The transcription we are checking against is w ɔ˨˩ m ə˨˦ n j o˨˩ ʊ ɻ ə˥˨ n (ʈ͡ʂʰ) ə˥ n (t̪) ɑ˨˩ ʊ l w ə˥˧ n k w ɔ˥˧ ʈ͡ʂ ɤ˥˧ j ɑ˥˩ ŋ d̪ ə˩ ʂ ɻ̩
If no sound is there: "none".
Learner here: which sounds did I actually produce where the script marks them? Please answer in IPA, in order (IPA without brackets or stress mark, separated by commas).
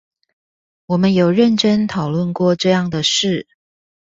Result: ʈ͡ʂ, t̪ʰ